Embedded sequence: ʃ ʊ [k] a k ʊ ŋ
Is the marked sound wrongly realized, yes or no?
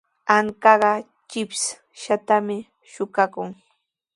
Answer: no